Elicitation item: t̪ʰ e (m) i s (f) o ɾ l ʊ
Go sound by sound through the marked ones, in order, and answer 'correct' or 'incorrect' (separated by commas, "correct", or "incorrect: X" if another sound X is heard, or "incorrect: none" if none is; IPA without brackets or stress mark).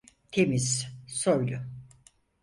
correct, incorrect: s